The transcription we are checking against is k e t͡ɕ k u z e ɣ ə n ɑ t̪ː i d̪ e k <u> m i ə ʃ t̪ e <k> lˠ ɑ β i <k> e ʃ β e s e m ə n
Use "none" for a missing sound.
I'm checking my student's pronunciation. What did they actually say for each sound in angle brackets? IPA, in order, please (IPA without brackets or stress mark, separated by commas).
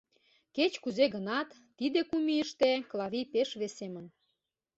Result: u, k, p